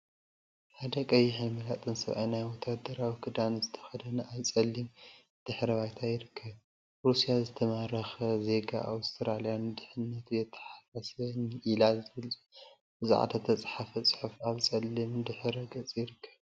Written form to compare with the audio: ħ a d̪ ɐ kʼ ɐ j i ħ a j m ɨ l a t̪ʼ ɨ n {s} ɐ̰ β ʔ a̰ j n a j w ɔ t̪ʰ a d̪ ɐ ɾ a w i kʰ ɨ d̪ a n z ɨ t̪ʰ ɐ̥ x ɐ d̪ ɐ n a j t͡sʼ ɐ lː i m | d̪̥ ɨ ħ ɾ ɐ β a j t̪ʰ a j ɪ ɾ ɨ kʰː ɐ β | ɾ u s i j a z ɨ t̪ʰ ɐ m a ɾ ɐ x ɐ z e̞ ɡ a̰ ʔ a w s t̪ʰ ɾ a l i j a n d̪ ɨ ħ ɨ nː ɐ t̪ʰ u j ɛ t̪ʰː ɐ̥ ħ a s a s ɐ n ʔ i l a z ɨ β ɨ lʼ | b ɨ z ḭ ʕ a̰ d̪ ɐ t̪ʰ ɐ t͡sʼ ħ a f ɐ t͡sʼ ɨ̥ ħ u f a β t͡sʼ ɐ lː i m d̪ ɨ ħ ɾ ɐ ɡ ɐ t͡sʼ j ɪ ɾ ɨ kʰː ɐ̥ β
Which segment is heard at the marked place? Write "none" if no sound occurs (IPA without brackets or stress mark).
s